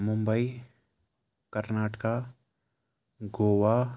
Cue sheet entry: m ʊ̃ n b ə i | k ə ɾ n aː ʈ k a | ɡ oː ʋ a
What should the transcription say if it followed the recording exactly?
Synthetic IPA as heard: m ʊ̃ m b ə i | k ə ɾ n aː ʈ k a | ɡ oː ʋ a